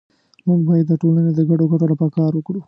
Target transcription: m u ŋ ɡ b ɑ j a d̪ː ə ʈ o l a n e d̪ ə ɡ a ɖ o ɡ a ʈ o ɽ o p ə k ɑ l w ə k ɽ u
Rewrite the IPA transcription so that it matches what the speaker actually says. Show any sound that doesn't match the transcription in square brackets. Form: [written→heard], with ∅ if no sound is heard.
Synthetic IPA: m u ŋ ɡ b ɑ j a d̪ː ə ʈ o l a n e d̪ ə ɡ a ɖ o ɡ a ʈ o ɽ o p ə k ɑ [l→ɾ] w ə k ɽ u